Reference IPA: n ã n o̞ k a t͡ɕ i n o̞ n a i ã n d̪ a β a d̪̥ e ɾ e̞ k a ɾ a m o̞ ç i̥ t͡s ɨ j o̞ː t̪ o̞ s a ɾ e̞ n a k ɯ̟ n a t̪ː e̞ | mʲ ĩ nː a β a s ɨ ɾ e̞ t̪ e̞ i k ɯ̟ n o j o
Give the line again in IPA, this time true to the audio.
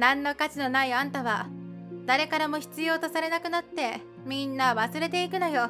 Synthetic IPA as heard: n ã nː o̞ k a t͡ɕ i n o̞ n a i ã n t̪ a β a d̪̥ a ɾ e̞ k a ɾ a m o̞ ç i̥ t͡s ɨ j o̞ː t̪ o̞ s a ɾ e̞ n a k ɯ̟ n a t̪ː e̞ | mʲ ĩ nː a β a s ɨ ɾ e̞ t̪ e̞ i k ɯ̟ n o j o